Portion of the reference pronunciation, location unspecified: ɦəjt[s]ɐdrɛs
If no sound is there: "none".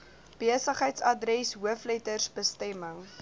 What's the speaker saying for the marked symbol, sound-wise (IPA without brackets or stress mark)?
s